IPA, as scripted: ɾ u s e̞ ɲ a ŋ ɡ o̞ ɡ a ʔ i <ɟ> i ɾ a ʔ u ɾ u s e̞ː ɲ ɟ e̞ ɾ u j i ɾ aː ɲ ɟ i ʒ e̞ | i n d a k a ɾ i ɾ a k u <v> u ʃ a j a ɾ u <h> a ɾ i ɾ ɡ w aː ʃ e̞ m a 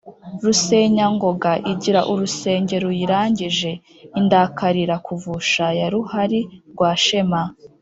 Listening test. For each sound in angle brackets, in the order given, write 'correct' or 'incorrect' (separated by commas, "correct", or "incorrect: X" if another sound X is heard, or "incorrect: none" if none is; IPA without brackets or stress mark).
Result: correct, correct, correct